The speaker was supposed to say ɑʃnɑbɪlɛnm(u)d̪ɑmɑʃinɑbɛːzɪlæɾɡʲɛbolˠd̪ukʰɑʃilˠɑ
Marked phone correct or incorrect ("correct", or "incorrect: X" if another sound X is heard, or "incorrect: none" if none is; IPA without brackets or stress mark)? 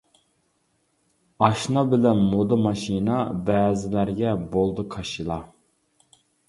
incorrect: o